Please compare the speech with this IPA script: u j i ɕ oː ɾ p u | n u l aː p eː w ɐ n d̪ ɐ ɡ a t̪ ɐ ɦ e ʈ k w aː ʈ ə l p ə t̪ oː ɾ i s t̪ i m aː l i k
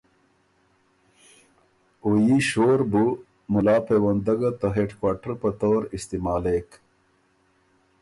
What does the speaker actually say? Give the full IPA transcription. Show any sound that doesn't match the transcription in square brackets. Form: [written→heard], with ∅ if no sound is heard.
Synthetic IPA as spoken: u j i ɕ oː ɾ [p→b] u | [n→m] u l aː p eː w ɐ n d̪ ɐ ɡ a t̪ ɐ ɦ e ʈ k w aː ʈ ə [l→ɾ] p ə t̪ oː ɾ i s t̪ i m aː l [i→e] k